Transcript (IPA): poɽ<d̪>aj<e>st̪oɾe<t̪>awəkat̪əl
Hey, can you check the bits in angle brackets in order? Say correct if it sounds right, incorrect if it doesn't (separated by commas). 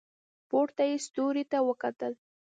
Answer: incorrect, correct, correct